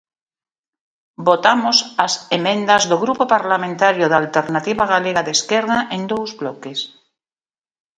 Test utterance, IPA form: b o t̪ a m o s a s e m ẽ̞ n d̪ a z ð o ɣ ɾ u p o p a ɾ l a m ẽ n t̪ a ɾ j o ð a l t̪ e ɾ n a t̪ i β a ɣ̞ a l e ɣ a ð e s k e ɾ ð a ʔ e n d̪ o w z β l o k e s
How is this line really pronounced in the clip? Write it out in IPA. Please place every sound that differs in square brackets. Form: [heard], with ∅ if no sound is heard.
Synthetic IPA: b o t̪ a m o s a s e m ẽ̞ n d̪ a z ð o ɣ ɾ u p o p a ɾ l a m ẽ n t̪ a ɾ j o ð a l t̪ e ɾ n a t̪ i β a ɣ̞ a l e ɣ a ð e s k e ɾ ð a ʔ e n d̪ o w z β l o k e s

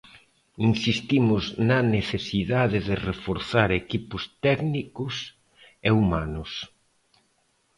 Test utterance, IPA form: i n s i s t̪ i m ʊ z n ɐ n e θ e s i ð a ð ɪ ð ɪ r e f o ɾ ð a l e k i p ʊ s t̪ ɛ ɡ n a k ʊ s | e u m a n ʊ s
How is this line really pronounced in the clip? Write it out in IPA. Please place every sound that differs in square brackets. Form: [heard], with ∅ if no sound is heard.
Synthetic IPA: i n s i s t̪ i m ʊ z n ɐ n e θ e s i ð a ð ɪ ð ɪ r e f o ɾ [θ] a [ɾ] e k i p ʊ s t̪ ɛ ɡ n [i] k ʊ s | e u m a n ʊ s

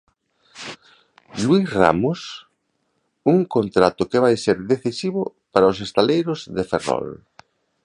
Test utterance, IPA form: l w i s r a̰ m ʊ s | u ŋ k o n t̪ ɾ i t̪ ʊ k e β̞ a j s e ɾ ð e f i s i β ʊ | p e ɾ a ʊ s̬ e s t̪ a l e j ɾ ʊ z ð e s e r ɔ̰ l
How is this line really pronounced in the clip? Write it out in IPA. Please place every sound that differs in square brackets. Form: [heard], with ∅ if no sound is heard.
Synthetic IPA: l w i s r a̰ m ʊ s | u ŋ k o n t̪ ɾ [a] t̪ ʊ k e β̞ a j s e ɾ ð e [θ] i s i β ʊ | p [a] ɾ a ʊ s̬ e s t̪ a l e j ɾ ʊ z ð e [f] e r ɔ̰ l

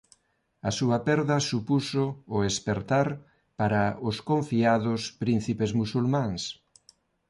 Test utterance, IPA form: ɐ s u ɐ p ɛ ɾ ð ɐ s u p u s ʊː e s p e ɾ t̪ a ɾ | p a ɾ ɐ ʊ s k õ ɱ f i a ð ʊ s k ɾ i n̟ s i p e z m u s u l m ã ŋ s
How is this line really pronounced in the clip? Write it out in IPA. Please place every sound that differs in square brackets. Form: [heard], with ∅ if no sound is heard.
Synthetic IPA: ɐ s u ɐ p ɛ ɾ ð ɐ s u p u s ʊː e s p e ɾ t̪ a ɾ | p a ɾ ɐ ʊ s k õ ɱ f i a ð ʊ s [p] ɾ i n̟ [θ] i p e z m u s u l m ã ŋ s

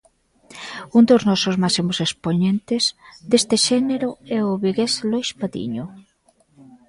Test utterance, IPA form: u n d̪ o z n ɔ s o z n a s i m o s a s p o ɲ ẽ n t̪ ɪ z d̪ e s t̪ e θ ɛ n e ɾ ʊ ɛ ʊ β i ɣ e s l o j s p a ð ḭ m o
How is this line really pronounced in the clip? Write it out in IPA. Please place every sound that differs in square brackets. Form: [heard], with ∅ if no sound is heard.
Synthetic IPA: u n d̪ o z n ɔ s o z [m] a s i m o s [e] s p o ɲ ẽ n t̪ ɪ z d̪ e s t̪ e [ʃ] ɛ n e ɾ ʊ ɛ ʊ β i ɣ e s l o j s p a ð ḭ [ɲ] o

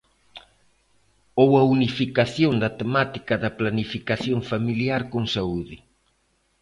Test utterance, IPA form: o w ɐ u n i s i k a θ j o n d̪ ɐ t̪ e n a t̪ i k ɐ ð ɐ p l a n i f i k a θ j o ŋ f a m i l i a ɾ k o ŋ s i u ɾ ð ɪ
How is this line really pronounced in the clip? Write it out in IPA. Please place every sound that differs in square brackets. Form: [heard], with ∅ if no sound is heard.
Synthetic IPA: o w ɐ u n i [f] i k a θ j o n d̪ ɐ t̪ e [m] a t̪ i k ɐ ð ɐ p l a n i f i k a θ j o ŋ f a m i l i a ɾ k o ŋ s [a] u [∅] ð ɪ

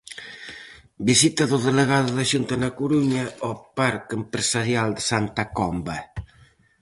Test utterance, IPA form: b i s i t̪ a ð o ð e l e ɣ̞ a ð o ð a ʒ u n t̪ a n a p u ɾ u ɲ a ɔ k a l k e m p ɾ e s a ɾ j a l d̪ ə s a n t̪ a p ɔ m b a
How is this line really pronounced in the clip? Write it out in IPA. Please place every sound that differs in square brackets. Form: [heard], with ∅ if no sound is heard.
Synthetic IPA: b i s i t̪ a ð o ð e l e ɣ̞ a ð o ð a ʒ u n t̪ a n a [k] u ɾ u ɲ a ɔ [p] a [ɾ] k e m p ɾ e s a ɾ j a l d̪ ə s a n t̪ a [k] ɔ m b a

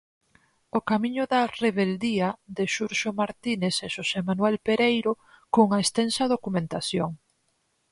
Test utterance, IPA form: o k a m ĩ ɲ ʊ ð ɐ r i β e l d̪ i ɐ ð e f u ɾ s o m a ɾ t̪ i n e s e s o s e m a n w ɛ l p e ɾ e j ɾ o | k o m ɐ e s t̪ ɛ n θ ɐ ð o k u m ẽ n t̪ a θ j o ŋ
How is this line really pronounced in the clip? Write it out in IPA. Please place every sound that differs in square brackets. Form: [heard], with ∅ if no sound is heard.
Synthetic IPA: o k a m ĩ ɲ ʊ ð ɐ r [e] β e l d̪ i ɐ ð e [ʃ] u ɾ [ʃ] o m a ɾ t̪ i n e s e [ʃ] o s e m a n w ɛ l p e ɾ e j ɾ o | k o [ŋ] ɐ e s t̪ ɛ n [s] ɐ ð o k u m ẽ n t̪ a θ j o ŋ

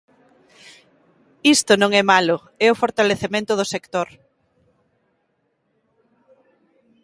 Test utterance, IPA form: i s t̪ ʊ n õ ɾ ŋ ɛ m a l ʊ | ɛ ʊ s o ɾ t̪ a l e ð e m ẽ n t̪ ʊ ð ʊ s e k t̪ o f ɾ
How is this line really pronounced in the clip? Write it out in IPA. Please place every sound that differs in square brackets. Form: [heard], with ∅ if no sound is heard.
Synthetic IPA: i s t̪ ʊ n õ [∅] ŋ ɛ m a l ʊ | ɛ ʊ [f] o ɾ t̪ a l e [θ] e m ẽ n t̪ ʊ ð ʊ s e k t̪ o [∅] ɾ

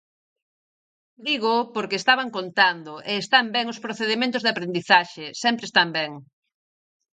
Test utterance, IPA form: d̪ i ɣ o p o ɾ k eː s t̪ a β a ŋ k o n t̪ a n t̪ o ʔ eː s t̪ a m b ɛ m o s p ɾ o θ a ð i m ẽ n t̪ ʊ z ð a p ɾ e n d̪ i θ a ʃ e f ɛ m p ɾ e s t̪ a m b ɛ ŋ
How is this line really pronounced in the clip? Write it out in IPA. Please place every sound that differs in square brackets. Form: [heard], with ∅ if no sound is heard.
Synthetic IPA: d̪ i ɣ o p o ɾ k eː s t̪ a β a ŋ k o n t̪ a n [d̪] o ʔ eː s t̪ a m b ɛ [ŋ] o s p ɾ o θ [e] ð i m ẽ n t̪ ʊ z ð a p ɾ e n d̪ i θ a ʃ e [s] ɛ m p ɾ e s t̪ a m b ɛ ŋ

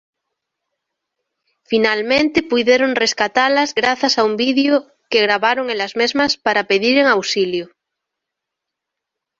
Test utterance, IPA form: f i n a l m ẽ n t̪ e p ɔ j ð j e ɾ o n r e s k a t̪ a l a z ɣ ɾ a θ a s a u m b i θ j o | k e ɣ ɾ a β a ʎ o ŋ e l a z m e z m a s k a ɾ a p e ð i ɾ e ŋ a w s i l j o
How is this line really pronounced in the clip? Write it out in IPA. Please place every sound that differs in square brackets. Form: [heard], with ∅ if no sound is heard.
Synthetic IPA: f i n a l m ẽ n t̪ e p [u] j ð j e ɾ o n r e s k a t̪ a l a z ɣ ɾ a θ a s a u m b i [ð] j o | k e ɣ ɾ a β a [ɾ] o ŋ e l a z m e z m a s [p] a ɾ a p e ð i ɾ e ŋ a w s i l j o

